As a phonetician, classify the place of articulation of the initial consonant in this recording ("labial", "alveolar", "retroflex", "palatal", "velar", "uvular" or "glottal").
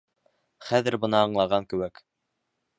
uvular